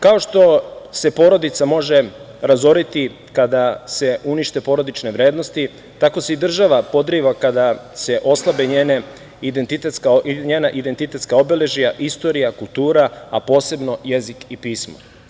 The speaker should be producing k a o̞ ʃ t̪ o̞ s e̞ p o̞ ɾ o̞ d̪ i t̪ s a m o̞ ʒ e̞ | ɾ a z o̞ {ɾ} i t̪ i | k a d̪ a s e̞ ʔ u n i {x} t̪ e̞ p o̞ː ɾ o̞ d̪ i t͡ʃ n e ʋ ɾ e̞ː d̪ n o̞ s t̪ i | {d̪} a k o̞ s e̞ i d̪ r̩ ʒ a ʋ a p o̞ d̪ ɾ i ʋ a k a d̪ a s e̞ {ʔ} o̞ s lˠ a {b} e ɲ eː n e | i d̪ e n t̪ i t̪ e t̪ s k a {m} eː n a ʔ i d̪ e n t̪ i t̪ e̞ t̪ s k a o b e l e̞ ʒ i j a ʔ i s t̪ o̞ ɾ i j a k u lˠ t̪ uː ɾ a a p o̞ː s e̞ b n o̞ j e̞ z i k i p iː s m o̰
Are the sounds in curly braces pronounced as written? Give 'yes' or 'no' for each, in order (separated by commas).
yes, no, no, yes, yes, no